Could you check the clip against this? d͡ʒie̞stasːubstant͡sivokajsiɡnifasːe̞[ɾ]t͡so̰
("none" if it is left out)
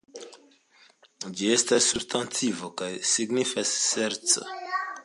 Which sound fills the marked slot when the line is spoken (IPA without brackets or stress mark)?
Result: ɾ